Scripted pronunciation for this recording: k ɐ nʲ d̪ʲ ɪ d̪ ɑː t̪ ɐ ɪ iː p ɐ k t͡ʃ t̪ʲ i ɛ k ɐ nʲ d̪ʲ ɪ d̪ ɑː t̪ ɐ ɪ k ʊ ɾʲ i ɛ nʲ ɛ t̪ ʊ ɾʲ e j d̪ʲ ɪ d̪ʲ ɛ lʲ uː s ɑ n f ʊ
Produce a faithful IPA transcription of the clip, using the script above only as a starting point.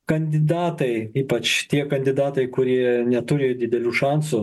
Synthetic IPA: k ɐ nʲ d̪ʲ ɪ d̪ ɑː t̪ ɐ ɪ iː p ɐ t͡ʃ t̪ʲ i ɛ k ɐ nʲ d̪ʲ ɪ d̪ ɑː t̪ ɐ ɪ k ʊ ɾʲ i ɛ nʲ ɛ t̪ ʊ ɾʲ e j d̪ʲ ɪ d̪ʲ ɛ lʲ uː ʃ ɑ n s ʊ